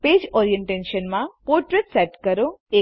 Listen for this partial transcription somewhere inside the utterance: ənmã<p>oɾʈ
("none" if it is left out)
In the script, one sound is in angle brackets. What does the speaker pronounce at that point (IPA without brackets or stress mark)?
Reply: p